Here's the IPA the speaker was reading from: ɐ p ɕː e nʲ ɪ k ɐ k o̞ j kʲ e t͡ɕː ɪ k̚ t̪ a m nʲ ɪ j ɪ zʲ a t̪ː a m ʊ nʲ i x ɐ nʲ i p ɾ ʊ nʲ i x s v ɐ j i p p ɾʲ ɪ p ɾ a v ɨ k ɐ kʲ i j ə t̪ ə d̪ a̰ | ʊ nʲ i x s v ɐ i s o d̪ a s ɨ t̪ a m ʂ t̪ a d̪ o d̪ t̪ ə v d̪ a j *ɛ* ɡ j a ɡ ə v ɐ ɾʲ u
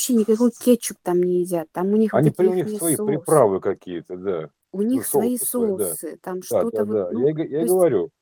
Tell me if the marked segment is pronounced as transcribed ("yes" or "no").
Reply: no